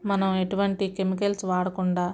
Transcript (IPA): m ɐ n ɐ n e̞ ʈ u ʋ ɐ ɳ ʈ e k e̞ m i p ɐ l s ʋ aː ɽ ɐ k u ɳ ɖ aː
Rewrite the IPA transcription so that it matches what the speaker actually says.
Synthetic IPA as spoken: m ɐ n ɐ m e̞ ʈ u ʋ ɐ ɳ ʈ i k e̞ m i k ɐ l s ʋ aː ɽ ɐ k u ɳ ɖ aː